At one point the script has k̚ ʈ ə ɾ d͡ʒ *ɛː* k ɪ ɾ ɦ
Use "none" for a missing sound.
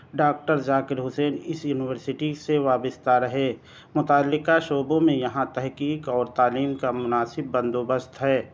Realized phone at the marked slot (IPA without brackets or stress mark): aː